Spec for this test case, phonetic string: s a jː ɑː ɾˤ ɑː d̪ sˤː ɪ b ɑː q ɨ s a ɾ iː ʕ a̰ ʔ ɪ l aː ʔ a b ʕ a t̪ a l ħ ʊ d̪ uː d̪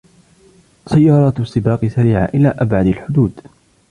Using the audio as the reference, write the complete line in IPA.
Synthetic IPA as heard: s a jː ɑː ɾˤ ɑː t̪ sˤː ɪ b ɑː q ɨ s a ɾ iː ʕ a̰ ʔ ɪ l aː ʔ a b ʕ a d̪ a l ħ ʊ d̪ uː d̪